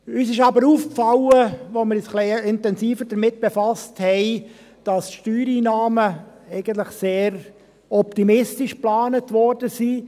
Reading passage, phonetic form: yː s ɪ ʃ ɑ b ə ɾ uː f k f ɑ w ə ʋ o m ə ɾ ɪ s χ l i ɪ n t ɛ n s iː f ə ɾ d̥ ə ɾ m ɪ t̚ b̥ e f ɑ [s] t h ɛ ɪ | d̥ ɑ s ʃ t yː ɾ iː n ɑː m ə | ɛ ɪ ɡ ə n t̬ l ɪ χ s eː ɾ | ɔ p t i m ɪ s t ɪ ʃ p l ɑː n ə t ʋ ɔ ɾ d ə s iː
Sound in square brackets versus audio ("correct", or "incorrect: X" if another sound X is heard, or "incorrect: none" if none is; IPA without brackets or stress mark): correct